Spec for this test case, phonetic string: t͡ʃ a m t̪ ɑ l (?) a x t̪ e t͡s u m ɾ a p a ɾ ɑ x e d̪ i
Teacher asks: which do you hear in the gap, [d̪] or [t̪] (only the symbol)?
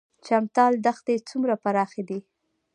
d̪